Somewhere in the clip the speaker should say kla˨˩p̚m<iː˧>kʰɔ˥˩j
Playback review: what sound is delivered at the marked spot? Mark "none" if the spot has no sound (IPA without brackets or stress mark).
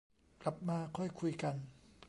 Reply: aː˧